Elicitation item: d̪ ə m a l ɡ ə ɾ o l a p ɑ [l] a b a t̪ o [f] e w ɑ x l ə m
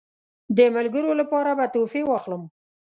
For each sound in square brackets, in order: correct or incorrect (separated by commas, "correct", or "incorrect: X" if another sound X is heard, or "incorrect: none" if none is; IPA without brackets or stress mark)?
incorrect: ɾ, correct